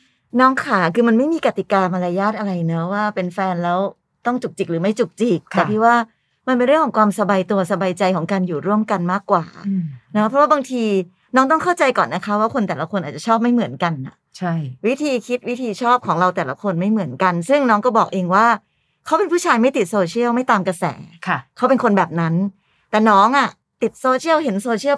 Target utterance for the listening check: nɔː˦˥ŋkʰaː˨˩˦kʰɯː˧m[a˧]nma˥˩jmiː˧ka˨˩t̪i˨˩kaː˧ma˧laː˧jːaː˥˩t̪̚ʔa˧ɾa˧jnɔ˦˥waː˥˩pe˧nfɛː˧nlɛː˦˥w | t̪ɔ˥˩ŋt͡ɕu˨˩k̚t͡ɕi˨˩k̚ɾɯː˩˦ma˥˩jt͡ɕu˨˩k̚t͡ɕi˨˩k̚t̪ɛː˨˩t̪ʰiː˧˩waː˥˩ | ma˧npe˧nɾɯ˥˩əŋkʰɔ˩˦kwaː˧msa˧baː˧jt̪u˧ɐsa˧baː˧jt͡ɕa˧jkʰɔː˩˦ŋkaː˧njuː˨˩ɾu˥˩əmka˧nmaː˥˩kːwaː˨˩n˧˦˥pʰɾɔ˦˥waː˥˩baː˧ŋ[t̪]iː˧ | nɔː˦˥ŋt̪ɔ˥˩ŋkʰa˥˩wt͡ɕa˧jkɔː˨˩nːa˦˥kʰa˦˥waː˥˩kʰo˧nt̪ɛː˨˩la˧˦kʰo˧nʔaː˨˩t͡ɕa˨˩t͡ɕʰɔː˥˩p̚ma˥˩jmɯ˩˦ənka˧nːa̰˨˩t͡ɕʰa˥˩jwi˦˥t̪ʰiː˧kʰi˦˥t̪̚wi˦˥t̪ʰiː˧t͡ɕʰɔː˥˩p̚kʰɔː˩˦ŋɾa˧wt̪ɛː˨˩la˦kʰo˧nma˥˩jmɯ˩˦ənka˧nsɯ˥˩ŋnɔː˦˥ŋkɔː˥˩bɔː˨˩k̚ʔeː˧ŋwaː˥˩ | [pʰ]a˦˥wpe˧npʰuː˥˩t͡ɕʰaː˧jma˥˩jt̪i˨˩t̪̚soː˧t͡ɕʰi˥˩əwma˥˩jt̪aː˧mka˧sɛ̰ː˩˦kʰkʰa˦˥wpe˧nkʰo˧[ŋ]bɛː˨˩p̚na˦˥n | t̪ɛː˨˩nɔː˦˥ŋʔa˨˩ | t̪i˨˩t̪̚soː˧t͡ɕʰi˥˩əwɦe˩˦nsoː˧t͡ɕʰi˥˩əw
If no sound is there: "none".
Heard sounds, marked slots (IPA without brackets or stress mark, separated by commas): a˧, t̪ʰ, kʰ, n